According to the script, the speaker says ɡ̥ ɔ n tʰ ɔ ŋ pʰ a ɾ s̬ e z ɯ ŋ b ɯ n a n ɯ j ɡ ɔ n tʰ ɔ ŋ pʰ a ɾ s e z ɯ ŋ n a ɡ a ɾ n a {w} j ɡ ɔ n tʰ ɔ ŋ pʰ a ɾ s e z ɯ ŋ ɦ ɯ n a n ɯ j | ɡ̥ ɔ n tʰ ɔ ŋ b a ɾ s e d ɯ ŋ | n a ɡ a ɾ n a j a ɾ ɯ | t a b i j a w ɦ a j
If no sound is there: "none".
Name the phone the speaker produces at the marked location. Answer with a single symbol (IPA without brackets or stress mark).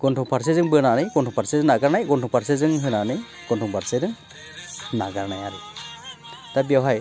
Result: none